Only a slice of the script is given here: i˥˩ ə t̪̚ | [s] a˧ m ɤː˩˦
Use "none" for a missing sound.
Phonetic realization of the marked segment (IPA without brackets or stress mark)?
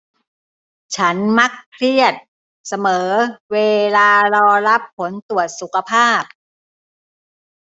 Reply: s